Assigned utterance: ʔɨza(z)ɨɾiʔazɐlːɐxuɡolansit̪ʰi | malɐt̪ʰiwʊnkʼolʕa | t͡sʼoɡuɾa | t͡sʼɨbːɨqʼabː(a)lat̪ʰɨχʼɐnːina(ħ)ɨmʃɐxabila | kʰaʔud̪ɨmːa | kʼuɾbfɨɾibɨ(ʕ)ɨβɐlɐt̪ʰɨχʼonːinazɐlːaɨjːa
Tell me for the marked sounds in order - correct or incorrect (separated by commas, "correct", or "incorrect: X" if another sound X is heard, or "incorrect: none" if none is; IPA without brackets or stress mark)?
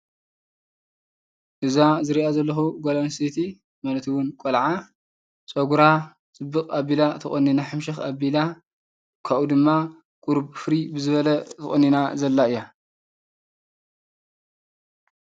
correct, incorrect: i, correct, incorrect: z